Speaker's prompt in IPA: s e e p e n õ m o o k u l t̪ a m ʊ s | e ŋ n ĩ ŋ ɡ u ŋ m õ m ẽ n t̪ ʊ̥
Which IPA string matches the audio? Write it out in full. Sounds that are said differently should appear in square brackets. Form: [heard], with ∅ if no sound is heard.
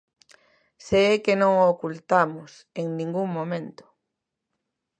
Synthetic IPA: s e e [k] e n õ [ŋ] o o k u l t̪ a m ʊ s | e ŋ n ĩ ŋ ɡ u ŋ m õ m ẽ n t̪ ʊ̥